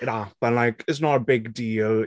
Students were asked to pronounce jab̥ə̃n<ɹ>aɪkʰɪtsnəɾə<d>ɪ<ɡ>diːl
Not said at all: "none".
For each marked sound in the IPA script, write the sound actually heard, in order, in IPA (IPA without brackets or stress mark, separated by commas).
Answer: l, b, ɡ